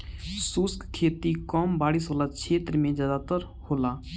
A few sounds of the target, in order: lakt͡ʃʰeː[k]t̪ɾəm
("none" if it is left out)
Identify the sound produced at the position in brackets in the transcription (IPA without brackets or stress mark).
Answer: none